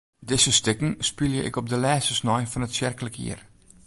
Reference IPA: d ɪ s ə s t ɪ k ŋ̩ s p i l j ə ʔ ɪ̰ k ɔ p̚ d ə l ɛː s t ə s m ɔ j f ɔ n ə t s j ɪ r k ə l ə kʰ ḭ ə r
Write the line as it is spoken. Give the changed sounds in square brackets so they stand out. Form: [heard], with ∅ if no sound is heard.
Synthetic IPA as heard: d ɪ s ə s t ɪ k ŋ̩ s p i l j ə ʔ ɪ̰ k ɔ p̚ d ə l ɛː s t ə s [n] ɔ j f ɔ n ə t s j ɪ r k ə l ə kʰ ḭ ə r